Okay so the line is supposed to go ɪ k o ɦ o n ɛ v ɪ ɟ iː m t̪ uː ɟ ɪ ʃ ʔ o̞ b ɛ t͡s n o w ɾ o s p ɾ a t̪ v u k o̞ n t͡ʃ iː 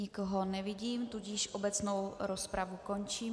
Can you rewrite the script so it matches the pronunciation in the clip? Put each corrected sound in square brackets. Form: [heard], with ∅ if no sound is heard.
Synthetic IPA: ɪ k o ɦ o n ɛ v ɪ ɟ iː m t̪ [u] ɟ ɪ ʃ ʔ o̞ b ɛ t͡s n o w ɾ o s p ɾ a [∅] v u k o̞ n t͡ʃ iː

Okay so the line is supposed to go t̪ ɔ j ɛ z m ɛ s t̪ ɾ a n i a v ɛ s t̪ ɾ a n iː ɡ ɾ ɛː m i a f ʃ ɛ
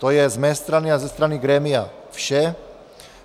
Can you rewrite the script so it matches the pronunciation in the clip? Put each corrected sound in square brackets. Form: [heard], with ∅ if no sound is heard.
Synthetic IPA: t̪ ɔ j ɛ z m ɛ s t̪ ɾ a n i a [z] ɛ s t̪ ɾ a n [i] ɡ ɾ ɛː m i a f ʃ ɛ

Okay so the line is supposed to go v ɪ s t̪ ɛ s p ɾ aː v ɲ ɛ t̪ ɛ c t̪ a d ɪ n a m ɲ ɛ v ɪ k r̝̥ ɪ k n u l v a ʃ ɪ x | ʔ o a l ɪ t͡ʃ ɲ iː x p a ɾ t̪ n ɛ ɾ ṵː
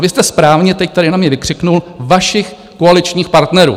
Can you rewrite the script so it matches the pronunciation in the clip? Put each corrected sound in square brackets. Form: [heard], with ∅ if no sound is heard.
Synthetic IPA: v ɪ s t̪ ɛ s p ɾ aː v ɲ ɛ t̪ ɛ c t̪ a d ɪ n a m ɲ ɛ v ɪ k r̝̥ ɪ k n u l v a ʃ ɪ x | [k] o a l ɪ t͡ʃ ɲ iː x p a ɾ t̪ n ɛ ɾ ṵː

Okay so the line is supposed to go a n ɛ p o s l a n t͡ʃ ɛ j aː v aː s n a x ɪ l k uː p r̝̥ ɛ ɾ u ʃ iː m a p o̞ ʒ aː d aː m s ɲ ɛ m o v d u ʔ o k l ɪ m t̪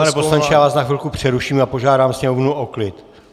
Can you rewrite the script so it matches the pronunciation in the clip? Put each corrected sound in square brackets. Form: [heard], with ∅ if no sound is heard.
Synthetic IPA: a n ɛ p o s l a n t͡ʃ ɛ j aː v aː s n a x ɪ l k [u] p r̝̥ ɛ ɾ u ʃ iː m a p o̞ ʒ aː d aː m s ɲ ɛ m o v [n] u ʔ o k l ɪ [∅] t̪

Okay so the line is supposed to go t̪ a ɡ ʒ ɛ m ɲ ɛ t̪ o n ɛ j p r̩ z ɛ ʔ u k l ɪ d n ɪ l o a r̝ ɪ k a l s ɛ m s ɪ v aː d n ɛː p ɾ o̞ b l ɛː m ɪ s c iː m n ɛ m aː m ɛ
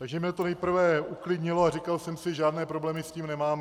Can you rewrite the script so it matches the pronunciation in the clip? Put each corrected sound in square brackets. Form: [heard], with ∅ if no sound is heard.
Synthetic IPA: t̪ a ɡ ʒ ɛ m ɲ ɛ t̪ o n ɛ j p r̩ [v] ɛ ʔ u k l ɪ d [ɲ] ɪ l o a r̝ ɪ k a l s ɛ m s ɪ [ʒ] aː d n ɛː p ɾ o̞ b l ɛː m ɪ s c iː m n ɛ m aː m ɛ

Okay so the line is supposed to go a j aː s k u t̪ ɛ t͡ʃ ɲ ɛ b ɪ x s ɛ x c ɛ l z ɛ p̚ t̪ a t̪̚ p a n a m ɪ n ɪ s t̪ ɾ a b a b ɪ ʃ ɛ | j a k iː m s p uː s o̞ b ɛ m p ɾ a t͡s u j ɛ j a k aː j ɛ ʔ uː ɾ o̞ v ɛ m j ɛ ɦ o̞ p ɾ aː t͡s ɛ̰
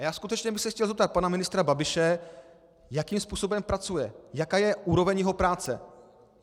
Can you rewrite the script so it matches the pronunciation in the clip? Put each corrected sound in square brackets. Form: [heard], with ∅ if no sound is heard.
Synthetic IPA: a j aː s k u t̪ ɛ t͡ʃ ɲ ɛ b ɪ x s ɛ x c ɛ l z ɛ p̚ t̪ a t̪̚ p a n a m ɪ n ɪ s t̪ ɾ a b a b ɪ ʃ ɛ | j a k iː m s p uː s o̞ b ɛ m p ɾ a t͡s u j ɛ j a k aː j ɛ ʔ uː ɾ o̞ v ɛ [ɲ] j ɛ ɦ o̞ p ɾ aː t͡s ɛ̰

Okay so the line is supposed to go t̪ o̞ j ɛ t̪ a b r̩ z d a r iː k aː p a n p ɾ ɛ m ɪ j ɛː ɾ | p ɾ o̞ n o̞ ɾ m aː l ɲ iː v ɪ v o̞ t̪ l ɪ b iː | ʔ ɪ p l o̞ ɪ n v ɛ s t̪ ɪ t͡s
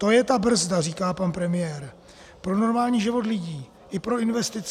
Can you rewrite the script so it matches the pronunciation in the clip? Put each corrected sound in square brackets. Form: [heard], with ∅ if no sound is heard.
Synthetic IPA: t̪ o̞ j ɛ t̪ a b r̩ z d a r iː k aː p a n p ɾ ɛ m ɪ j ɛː ɾ | p ɾ o̞ n o̞ ɾ m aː l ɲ iː [ʒ] ɪ v o̞ t̪ l ɪ [ɟ] iː | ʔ ɪ p [ɾ] o̞ ɪ n v ɛ s t̪ ɪ t͡s

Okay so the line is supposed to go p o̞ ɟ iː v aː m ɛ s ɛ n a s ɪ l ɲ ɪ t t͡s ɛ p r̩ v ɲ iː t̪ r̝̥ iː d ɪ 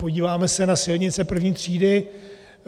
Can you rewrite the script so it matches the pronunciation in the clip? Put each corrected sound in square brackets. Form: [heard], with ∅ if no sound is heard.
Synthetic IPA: p o̞ ɟ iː v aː m ɛ s ɛ n a s ɪ l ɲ ɪ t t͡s ɛ p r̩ v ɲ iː t̪ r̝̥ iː d ɪ

